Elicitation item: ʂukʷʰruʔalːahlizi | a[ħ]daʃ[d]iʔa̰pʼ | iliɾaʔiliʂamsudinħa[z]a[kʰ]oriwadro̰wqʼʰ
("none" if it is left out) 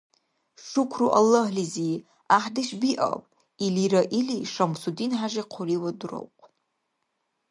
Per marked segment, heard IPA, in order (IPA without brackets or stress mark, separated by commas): ħ, b, ʒ, qʰ